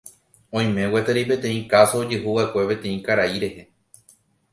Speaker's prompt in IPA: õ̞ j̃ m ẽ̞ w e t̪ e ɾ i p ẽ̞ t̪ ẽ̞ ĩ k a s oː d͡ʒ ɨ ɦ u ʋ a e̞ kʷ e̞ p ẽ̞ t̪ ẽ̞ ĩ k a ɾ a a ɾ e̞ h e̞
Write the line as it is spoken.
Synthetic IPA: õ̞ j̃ m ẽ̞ w e t̪ e ɾ i p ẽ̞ t̪ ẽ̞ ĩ k a s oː d͡ʒ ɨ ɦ u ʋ a e̞ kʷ e̞ p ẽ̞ t̪ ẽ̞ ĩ k a ɾ a i ɾ e̞ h e̞